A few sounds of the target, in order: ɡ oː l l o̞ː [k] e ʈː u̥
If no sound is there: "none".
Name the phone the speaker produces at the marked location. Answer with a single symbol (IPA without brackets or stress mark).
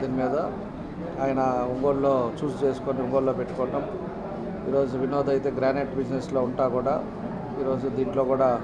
p